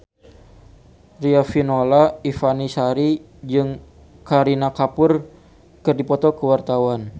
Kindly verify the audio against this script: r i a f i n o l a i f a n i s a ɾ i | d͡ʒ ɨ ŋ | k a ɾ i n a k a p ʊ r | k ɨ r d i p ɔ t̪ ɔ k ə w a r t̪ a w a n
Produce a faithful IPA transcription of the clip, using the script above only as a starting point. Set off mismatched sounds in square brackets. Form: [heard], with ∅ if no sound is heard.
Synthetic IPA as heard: r i a f i n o l a i f a n i s a ɾ i | d͡ʒ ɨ ŋ | k a ɾ i n a k a p ʊ r | k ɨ r d i p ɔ t̪ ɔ k ə w a r t̪ a w a n